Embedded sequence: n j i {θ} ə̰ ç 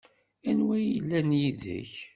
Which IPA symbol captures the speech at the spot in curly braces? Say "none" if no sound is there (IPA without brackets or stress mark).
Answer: ð